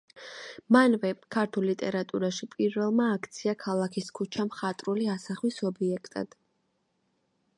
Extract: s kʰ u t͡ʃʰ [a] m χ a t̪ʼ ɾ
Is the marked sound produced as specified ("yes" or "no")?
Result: yes